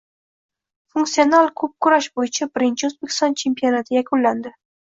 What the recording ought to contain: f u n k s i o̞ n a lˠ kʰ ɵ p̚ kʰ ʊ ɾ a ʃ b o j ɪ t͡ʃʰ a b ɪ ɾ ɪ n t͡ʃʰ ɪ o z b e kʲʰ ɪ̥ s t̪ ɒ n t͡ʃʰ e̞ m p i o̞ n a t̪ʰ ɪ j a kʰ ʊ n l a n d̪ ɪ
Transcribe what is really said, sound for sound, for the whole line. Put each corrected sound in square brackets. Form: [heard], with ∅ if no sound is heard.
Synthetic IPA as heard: f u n k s i o̞ n a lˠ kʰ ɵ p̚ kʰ ʊ ɾ a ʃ b o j ɪ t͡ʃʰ a b ɪ ɾ ɪ n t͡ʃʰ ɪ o z b e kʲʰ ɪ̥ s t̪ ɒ n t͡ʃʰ e̞ m p i o̞ n a t̪ʰ ɪ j a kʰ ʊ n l a n d̪ ɪ